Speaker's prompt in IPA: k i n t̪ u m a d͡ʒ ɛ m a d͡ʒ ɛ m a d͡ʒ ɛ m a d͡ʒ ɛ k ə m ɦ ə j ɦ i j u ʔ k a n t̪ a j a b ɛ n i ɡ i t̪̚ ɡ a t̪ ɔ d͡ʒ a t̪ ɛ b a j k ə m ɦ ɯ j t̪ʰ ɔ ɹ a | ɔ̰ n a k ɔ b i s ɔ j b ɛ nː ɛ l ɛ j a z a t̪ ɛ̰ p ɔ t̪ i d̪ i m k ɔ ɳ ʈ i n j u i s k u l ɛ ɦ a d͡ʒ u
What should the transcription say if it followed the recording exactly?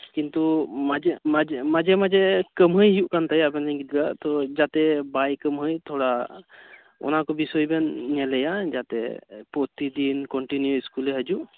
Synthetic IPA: k i n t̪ u m a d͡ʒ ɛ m a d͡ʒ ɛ m a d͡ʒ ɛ m a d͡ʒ ɛ k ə m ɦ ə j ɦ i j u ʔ k a n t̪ a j a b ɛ n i ɡ i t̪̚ ɡ a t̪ ɔ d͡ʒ a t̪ ɛ b a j k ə m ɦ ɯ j t̪ʰ ɔ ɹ a | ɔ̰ n a k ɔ b i s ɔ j b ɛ nː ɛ l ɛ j a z a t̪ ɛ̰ p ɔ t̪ i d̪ i n k ɔ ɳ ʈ i n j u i s k u l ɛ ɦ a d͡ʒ u